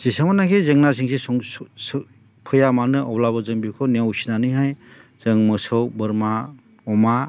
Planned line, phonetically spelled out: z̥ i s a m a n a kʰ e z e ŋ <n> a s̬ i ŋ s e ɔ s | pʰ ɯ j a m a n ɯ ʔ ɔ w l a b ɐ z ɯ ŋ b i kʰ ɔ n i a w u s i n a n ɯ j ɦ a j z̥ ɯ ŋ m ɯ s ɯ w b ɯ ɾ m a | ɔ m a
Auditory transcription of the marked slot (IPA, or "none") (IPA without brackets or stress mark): n